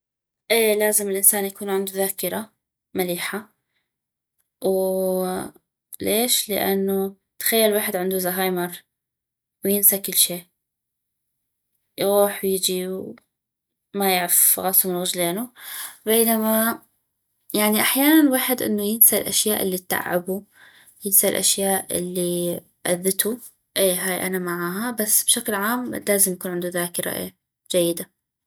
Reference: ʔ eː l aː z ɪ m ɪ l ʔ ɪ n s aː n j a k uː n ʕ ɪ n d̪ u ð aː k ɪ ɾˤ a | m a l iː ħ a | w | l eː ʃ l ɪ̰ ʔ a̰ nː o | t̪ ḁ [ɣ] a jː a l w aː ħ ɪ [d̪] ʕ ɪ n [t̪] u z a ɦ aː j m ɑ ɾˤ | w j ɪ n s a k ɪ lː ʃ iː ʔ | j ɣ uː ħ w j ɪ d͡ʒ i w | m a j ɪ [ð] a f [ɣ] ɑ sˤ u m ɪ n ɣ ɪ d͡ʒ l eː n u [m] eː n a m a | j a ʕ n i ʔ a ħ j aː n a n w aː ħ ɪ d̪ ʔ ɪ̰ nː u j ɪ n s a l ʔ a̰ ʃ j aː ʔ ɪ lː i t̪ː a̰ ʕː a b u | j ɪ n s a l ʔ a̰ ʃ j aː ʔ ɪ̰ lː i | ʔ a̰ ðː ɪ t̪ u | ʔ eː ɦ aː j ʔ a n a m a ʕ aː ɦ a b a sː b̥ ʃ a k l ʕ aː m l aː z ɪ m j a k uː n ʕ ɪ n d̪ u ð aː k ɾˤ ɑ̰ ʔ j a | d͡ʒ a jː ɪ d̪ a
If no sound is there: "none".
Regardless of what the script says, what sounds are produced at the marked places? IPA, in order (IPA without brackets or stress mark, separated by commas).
x, d̪, d̪, ʕ, ɣ, b